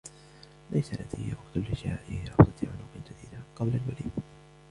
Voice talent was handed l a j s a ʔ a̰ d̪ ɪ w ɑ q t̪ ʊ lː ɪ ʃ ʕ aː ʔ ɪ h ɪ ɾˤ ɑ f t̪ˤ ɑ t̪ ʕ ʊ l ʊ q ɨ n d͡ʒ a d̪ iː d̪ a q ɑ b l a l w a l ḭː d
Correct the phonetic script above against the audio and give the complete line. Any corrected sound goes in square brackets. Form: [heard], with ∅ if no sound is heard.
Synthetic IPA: l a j s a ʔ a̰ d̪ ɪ w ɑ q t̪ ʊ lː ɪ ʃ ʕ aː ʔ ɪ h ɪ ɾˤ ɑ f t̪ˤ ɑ t̪ ʕ ʊ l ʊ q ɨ n d͡ʒ a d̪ iː d̪ a q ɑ b l a l w a l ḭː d